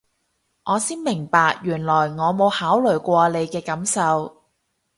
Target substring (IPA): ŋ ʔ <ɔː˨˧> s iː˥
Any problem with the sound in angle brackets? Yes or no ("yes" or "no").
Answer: no